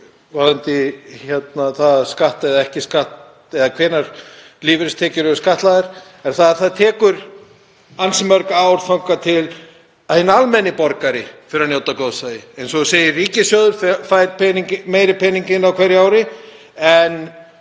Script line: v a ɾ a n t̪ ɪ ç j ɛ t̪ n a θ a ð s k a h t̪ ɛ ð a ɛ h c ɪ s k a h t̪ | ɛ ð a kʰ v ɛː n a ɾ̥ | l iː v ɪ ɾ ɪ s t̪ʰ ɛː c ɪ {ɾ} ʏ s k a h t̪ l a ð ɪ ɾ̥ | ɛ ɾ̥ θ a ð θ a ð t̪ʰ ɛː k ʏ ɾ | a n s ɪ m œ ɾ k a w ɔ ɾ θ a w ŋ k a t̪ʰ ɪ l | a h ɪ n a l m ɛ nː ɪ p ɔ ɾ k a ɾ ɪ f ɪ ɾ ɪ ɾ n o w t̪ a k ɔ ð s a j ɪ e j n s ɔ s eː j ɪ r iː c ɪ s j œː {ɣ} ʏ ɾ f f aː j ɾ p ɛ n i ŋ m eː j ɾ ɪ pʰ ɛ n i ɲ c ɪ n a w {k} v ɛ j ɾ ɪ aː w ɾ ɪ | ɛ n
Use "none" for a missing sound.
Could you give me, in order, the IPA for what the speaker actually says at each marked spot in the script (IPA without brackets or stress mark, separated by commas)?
ɾ, ð, kʰ